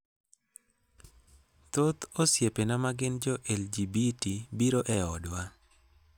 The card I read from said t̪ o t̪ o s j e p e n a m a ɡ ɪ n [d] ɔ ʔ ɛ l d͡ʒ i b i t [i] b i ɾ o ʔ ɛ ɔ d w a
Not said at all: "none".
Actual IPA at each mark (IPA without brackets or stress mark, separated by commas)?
d͡ʒ, i